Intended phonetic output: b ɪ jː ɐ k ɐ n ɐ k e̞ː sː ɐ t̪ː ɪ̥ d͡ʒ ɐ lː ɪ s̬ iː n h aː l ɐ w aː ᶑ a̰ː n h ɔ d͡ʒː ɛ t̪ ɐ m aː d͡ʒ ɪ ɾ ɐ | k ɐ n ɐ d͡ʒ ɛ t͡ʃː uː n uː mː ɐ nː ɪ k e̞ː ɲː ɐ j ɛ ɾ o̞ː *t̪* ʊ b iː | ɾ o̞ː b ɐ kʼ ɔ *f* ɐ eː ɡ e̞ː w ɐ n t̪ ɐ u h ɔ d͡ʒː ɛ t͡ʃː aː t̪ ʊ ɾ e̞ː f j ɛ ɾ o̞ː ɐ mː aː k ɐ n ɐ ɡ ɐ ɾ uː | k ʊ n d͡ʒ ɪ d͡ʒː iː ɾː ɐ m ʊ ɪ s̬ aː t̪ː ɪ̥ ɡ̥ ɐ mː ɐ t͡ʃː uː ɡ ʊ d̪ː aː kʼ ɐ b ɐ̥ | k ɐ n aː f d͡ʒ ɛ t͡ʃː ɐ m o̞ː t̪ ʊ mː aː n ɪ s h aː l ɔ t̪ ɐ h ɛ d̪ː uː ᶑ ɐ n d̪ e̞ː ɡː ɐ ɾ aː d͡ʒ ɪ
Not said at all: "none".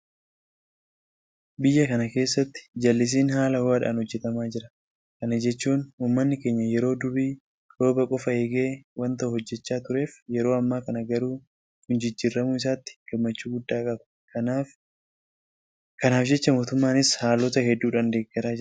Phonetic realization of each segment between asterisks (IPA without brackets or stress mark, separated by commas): d̪, f